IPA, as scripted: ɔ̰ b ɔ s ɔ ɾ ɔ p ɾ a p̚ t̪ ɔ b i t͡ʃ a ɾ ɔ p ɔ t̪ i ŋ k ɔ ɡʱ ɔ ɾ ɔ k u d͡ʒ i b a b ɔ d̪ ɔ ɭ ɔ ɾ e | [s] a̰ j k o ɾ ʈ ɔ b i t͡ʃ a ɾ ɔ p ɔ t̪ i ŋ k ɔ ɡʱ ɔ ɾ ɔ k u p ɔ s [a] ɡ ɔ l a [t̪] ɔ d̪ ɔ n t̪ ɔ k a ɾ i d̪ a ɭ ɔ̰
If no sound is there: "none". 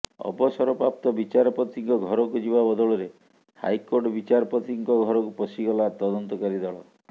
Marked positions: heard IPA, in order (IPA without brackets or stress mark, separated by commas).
h, i, t̪